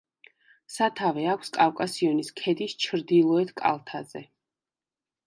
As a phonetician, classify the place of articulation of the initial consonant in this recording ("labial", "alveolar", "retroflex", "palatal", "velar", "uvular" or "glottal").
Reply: alveolar